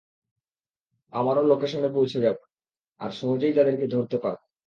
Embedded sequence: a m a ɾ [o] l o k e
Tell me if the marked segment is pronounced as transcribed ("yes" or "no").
yes